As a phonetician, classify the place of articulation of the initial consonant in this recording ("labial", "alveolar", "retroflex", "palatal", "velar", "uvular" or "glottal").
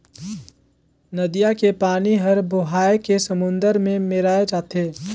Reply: alveolar